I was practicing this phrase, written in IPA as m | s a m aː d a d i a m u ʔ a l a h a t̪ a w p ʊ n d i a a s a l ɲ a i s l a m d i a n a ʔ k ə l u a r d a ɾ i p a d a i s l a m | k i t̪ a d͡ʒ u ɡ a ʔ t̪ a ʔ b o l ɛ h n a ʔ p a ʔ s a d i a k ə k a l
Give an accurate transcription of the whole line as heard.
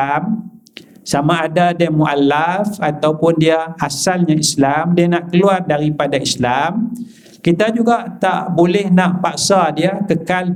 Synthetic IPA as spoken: m | s a m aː d a d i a m u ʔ a l a f a t̪ a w p ʊ n d i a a s a l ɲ a i s l a m d i a n a ʔ k ə l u a r d a ɾ i p a d a i s l a m | k i t̪ a d͡ʒ u ɡ a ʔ t̪ a ʔ b o l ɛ h n a ʔ p a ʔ s a d i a k ə k a l